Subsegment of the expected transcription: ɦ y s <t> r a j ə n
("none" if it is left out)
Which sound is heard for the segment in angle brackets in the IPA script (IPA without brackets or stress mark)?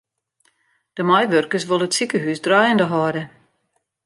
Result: d